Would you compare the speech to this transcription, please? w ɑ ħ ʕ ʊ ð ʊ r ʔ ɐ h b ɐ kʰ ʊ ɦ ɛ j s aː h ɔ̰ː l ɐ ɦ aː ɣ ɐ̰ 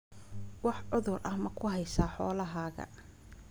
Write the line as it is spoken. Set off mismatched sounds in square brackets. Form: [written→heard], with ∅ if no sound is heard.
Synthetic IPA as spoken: w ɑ ħ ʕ ʊ ð ʊ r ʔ ɐ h [b→m] ɐ kʰ ʊ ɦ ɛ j s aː [h→ħ] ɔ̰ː l ɐ ɦ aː ɣ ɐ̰